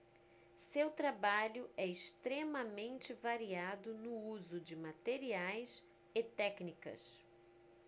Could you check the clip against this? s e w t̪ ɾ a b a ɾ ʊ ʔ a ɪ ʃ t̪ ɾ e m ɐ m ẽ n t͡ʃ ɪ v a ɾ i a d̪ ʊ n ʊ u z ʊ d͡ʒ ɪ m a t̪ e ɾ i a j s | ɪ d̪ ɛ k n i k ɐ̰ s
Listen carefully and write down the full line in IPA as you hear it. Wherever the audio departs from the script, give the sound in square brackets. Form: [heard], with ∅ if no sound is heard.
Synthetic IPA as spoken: s e w t̪ ɾ a b a [ʎ] ʊ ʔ [ɛ] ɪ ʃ t̪ ɾ e m ɐ m ẽ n t͡ʃ ɪ v a ɾ i a d̪ ʊ n ʊ u z ʊ d͡ʒ ɪ m a t̪ e ɾ i a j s | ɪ [t̪] ɛ k n i k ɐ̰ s